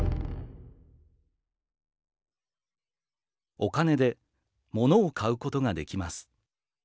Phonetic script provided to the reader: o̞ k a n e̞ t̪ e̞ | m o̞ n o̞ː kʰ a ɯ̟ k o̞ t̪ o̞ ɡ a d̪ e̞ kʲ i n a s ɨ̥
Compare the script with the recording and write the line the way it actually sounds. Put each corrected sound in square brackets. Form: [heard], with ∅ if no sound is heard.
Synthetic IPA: o̞ k a n e̞ [d̪] e̞ | m o̞ n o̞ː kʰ a ɯ̟ k o̞ t̪ o̞ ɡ a d̪ e̞ kʲ i [m] a s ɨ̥